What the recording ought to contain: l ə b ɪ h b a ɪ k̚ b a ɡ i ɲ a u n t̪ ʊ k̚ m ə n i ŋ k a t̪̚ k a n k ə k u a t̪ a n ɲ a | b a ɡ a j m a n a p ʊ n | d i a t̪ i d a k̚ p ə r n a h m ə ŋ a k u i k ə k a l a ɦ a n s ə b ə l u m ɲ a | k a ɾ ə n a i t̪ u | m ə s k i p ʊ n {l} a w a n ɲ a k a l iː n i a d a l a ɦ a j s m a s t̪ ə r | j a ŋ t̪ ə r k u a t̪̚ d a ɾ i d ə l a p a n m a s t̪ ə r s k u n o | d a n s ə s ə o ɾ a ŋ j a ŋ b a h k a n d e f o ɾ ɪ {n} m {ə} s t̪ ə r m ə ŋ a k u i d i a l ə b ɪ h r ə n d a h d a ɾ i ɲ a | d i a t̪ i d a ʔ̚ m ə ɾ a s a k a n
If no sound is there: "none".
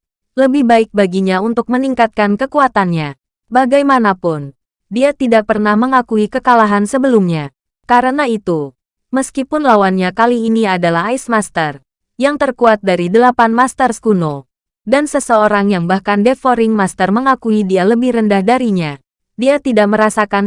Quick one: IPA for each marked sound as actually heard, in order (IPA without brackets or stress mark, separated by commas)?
l, ŋ, a